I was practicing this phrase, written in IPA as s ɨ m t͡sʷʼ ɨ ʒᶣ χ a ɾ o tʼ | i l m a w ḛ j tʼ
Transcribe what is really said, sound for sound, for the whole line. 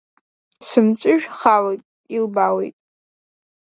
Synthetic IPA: s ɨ m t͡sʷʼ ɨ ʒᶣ χ a l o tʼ | i l b a w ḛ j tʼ